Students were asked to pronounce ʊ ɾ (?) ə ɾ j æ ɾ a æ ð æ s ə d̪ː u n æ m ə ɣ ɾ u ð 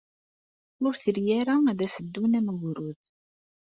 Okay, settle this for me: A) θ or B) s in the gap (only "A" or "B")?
A